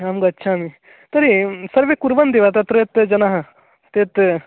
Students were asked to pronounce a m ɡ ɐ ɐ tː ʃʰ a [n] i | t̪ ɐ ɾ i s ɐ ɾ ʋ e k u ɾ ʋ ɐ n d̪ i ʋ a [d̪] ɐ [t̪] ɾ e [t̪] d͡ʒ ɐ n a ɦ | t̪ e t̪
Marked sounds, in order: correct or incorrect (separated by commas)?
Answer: incorrect, incorrect, correct, correct